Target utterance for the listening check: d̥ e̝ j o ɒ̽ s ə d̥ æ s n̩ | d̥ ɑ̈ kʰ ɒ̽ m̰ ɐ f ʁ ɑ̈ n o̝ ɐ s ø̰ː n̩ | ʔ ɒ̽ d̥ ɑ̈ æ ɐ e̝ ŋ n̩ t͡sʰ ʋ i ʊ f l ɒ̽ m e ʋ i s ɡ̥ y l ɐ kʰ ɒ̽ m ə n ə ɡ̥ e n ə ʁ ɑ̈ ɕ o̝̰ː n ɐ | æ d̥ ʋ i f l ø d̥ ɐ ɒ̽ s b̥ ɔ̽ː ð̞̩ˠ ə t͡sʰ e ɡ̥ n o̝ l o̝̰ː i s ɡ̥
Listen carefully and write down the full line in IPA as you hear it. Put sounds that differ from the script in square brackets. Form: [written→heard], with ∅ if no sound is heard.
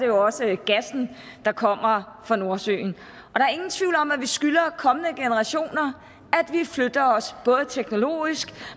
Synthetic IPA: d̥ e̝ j o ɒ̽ s ə [d̥→ɡ̥] æ s n̩ | d̥ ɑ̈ kʰ ɒ̽ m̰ ɐ f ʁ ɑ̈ n o̝ ɐ s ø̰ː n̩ | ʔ ɒ̽ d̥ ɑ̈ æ ɐ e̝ ŋ n̩ t͡sʰ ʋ i ʊ [f→∅] l ɒ̽ m [e→æ] ʋ i s ɡ̥ y l ɐ kʰ ɒ̽ m ə n ə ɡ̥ e n ə ʁ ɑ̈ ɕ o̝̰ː n ɐ | æ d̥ ʋ i f l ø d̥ ɐ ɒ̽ s b̥ ɔ̽ː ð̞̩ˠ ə t͡sʰ e ɡ̥ n o̝ l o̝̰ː i s ɡ̥